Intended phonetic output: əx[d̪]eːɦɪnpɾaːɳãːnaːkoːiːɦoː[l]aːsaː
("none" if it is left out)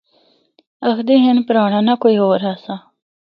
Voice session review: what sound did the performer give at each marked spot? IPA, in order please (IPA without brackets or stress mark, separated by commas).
d̪, ɾ